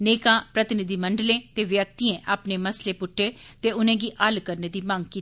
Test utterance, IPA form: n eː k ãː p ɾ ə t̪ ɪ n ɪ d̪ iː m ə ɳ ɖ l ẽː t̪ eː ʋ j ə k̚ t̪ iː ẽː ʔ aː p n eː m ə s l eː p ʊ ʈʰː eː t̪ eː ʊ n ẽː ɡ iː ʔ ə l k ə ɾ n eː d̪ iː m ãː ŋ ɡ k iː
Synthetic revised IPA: n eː k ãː p ɾ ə t̪ ɪ n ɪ d̪ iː m ə ɳ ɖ l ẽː t̪ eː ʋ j ə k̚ t̪ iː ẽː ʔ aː p n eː m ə s l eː p ʊ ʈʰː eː t̪ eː ʊ n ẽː ɡ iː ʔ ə l k ə ɾ n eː d̪ iː m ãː ŋ ɡ k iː